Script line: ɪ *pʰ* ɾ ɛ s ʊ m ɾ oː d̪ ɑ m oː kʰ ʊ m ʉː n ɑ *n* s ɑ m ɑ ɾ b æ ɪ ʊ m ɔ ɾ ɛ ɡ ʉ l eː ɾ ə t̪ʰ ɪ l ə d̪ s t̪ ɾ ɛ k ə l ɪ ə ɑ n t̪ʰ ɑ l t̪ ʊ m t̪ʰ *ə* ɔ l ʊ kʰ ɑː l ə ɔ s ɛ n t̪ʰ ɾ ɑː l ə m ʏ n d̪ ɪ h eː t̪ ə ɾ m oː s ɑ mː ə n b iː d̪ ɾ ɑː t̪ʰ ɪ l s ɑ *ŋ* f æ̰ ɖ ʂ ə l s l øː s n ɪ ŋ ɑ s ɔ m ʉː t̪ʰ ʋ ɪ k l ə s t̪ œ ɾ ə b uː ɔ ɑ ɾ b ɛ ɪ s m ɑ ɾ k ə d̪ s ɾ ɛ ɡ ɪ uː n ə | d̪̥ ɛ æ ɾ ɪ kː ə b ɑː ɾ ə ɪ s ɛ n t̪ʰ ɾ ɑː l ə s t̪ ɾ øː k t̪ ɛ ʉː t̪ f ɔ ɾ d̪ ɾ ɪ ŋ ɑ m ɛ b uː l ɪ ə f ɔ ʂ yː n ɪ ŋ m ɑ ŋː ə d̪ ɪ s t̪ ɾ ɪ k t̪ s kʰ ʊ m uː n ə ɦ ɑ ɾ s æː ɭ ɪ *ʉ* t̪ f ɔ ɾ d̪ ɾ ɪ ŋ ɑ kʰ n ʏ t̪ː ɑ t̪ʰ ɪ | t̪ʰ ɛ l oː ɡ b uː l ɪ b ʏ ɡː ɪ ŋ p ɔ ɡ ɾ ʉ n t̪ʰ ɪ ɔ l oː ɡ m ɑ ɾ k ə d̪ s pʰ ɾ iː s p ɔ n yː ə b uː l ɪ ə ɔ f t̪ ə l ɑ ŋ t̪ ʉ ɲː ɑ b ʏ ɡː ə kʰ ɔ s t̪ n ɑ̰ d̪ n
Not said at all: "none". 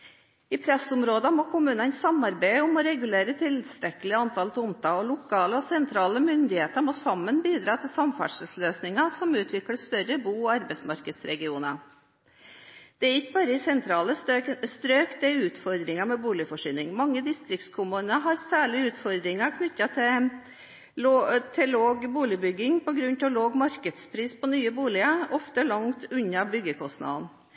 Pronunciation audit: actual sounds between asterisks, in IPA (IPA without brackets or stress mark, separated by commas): pʰ, n, ɑ, m, ʉː